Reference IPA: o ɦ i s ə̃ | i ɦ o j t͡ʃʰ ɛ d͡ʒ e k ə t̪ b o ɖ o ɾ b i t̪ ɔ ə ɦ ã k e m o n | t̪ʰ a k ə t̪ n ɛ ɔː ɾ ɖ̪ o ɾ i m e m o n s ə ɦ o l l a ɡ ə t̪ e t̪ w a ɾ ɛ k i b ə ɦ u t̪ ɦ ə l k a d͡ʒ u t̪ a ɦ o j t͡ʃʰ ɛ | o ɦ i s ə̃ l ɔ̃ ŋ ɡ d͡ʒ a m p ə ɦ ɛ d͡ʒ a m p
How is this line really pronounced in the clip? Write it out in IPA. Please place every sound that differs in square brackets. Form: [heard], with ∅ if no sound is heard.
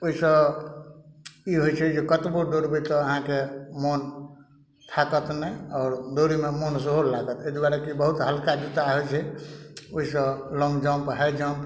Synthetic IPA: o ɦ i s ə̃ | i ɦ o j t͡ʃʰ ɛ d͡ʒ e k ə t̪ b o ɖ o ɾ b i t̪ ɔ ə ɦ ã k e m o n | t̪ʰ a k ə t̪ n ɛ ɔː ɾ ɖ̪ o ɾ i m e m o n s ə ɦ o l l a ɡ ə t̪ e [d̪] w a ɾ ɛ k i b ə ɦ u t̪ ɦ ə l k a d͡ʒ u t̪ a ɦ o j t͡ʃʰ ɛ | o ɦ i s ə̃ l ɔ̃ ŋ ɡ d͡ʒ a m p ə ɦ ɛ d͡ʒ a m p